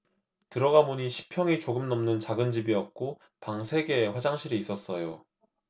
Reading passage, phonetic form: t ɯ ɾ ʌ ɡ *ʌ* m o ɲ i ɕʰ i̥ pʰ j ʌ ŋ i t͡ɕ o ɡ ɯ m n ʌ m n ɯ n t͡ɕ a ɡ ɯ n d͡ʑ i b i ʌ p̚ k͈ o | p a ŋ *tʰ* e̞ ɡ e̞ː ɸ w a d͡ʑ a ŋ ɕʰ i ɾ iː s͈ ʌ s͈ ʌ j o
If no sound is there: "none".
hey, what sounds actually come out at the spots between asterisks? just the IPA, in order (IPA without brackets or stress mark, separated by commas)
a, sʰ